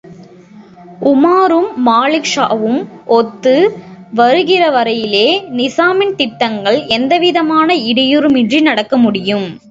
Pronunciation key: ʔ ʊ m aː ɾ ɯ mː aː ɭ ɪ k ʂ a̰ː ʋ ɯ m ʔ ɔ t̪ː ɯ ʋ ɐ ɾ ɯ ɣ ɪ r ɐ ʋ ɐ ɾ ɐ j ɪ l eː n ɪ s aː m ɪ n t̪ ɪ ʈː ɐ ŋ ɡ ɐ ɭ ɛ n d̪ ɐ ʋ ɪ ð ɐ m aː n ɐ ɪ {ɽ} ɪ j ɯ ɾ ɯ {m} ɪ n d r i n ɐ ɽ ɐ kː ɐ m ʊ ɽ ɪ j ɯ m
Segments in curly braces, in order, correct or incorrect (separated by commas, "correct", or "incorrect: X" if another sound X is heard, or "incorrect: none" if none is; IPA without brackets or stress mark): correct, correct